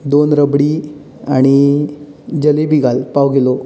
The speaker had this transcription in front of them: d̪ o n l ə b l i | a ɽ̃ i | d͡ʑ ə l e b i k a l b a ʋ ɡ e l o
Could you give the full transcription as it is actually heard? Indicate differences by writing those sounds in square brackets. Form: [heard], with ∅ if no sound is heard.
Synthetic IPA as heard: d̪ o n [ɾ] ə b [ɽ] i | a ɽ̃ i | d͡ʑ ə l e b i [ɡ] a l [p] a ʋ ɡ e l o

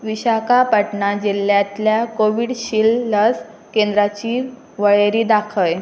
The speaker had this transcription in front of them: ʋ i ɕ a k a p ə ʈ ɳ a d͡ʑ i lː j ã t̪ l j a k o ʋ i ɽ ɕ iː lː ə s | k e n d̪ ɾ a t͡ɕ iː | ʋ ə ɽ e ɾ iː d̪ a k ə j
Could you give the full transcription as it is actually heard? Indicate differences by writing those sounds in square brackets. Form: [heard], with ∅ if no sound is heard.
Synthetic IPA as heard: ʋ i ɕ a k a p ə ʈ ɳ a d͡ʑ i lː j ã t̪ l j a k o ʋ i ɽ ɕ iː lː ə s | k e n d̪ ɾ a t͡ɕ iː | ʋ ə [ɭ] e ɾ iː d̪ a [kʰ] ə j

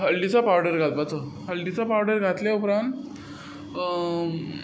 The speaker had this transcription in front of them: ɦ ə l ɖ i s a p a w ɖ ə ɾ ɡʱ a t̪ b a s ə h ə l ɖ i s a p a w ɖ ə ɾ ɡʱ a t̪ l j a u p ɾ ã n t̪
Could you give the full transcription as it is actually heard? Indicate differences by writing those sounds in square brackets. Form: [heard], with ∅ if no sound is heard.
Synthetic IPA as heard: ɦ ə l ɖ i [t͡s] a p a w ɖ ə ɾ ɡʱ a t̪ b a [t͡s] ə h ə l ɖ i [t͡s] a p a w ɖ ə ɾ ɡʱ a t̪ l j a u p ɾ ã n t̪

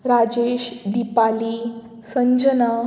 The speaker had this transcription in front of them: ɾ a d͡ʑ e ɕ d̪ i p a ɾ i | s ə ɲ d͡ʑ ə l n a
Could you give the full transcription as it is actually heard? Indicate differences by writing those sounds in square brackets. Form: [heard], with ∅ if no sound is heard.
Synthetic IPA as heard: ɾ a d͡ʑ e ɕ d̪ i p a [l] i | s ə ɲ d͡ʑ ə [∅] n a

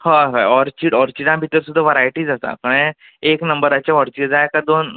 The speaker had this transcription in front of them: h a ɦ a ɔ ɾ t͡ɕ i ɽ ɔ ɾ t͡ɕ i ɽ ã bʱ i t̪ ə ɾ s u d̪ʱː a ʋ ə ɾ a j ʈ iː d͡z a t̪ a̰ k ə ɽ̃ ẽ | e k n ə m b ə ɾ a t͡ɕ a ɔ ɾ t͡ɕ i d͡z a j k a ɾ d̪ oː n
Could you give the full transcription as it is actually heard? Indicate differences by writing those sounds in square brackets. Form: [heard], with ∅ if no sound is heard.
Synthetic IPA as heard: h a ɦ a ɔ ɾ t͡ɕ i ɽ ɔ ɾ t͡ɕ i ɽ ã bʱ i t̪ ə ɾ s u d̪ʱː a ʋ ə ɾ a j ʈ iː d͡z a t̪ a̰ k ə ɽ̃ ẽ | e k n ə m b ə ɾ a t͡ɕ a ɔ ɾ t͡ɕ i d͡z a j k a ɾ d̪ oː n

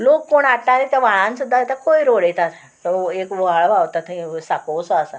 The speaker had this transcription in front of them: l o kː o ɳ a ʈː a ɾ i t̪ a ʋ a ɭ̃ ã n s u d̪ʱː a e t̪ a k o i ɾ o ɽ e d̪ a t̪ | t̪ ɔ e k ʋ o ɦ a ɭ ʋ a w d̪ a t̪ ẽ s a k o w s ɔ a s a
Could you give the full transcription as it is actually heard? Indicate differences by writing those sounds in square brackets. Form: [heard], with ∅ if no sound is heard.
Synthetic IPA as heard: l o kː o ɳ a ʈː a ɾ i t̪ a ʋ a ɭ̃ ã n s u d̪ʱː a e t̪ a k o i ɾ o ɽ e [t̪] a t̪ | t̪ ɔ e k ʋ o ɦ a ɭ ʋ a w [t̪] a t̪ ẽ s a k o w s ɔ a s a

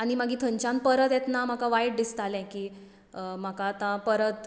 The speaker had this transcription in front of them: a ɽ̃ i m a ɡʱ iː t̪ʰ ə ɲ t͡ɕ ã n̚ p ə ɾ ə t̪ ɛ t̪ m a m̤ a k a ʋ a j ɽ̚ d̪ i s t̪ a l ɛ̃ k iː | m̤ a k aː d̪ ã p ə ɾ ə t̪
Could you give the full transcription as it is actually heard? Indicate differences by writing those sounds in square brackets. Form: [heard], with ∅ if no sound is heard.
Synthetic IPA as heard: a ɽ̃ i m a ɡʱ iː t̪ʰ ə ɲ t͡ɕ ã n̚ p ə ɾ ə t̪ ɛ t̪ [n] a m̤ a k a ʋ a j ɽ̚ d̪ i s t̪ a l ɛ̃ k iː | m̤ a k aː [t̪] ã p ə ɾ ə t̪

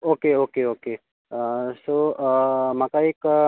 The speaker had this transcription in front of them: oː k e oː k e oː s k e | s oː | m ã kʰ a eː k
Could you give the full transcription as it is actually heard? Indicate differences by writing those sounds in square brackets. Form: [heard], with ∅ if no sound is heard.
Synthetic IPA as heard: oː k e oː k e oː [∅] k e | s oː | m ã [k] a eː k

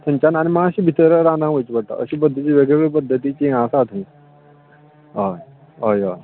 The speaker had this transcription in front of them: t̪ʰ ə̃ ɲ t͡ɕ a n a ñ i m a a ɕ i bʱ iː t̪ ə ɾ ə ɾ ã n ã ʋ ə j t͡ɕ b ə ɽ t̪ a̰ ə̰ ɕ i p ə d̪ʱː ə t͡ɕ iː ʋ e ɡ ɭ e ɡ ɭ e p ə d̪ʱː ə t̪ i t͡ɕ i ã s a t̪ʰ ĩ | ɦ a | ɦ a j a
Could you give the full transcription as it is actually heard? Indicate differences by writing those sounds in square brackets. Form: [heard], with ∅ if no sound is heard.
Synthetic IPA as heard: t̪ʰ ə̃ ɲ t͡ɕ a n a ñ i m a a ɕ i bʱ [i] t̪ ə ɾ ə ɾ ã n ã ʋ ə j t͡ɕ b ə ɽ t̪ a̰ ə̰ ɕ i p ə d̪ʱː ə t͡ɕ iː ʋ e ɡ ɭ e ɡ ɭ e p ə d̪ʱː ə t̪ i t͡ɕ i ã s a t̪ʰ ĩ | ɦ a | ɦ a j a

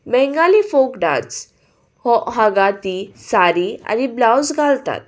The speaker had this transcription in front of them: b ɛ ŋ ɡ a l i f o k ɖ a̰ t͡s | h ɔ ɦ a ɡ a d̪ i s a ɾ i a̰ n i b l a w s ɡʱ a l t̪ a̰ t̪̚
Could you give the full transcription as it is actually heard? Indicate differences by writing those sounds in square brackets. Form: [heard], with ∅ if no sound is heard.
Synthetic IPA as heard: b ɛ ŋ ɡ a l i f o k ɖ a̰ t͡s | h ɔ ɦ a ɡ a [t̪] i s a ɾ i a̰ n i b l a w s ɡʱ a l t̪ a̰ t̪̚

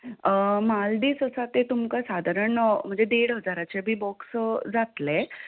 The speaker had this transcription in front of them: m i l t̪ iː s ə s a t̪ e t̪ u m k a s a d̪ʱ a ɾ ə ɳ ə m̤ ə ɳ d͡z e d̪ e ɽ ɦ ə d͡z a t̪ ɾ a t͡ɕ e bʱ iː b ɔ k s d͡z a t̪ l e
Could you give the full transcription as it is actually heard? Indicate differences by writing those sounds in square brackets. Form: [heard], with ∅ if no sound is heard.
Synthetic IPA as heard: m [a] l [d̪] iː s ə s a t̪ e t̪ u m k a s a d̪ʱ a ɾ ə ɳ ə m̤ ə ɳ d͡z e d̪ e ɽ ɦ ə d͡z a [∅] ɾ a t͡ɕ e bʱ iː b ɔ k s d͡z a t̪ l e

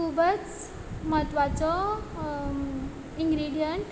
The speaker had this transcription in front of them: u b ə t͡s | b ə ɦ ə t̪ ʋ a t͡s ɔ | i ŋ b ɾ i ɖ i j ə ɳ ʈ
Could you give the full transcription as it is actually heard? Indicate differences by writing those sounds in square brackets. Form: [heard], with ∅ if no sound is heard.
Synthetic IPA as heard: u b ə t͡s | [m] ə ɦ ə t̪ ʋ a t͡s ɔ | i ŋ [ɡ] ɾ i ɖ i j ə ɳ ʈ

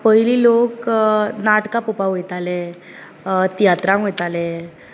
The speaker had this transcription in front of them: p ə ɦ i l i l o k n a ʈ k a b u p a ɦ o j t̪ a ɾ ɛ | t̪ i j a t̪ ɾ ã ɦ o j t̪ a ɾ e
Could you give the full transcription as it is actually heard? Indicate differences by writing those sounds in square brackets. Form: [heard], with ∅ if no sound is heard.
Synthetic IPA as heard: p ə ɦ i l i l o k n a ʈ k a [p] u p a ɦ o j t̪ a [l] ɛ | t̪ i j a t̪ ɾ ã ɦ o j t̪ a [l] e

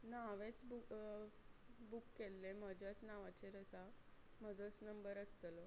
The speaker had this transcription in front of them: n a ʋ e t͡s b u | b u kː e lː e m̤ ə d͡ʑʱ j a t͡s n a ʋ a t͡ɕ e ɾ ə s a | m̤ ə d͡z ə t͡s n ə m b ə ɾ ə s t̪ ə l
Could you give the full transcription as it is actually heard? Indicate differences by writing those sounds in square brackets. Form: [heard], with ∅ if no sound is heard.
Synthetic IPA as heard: n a ʋ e t͡s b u | b u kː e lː e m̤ ə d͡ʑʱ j a t͡s n a ʋ a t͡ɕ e ɾ ə s a | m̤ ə d͡z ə t͡s n ə m b ə ɾ ə s t̪ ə l

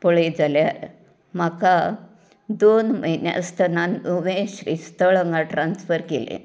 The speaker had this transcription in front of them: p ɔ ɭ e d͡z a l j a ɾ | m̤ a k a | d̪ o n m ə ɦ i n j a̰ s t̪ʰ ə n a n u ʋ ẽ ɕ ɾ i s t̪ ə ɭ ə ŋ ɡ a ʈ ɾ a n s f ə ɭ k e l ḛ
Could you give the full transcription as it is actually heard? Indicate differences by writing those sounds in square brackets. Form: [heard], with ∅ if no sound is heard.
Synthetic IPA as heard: p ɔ ɭ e d͡z a l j a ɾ | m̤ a k a | d̪ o n m ə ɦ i n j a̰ s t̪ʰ ə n a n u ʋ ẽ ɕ ɾ i s t̪ ə ɭ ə ŋ ɡ a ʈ ɾ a n s f ə [ɾ] k e l ḛ

